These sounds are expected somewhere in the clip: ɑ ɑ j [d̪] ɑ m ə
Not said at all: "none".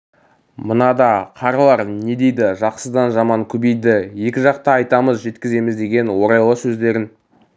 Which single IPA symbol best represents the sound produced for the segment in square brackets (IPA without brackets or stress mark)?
t̪